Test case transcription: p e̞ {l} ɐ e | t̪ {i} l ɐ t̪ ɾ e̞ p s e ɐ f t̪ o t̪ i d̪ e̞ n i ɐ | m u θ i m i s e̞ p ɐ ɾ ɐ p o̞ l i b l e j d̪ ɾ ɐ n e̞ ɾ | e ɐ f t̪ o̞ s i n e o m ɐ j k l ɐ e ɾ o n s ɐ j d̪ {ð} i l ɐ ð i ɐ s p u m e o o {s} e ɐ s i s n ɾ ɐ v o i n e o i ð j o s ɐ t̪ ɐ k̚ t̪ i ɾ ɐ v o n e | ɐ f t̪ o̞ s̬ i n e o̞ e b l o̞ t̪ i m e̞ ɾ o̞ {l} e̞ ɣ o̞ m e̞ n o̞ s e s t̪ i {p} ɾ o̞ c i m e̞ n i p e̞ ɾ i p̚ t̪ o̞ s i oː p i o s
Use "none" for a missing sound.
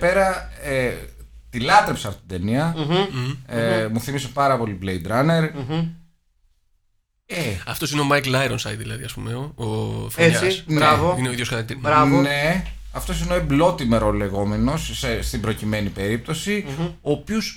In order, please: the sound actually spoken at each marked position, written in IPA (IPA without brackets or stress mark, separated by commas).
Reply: ɾ, i, ð, f, l, b